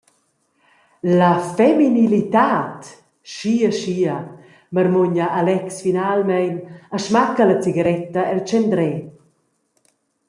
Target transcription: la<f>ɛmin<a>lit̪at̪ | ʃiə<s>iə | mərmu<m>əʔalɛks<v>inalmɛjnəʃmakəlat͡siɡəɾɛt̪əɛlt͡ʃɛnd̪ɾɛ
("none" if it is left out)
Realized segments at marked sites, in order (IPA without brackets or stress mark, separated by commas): f, i, ʃ, ɲ, f